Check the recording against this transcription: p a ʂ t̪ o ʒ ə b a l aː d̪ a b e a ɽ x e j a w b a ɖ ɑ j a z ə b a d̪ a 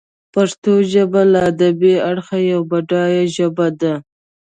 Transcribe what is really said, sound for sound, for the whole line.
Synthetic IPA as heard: p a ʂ t̪ o ʒ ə b a l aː d̪ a b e a ɽ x a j a w b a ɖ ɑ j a ʒ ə b a d̪ a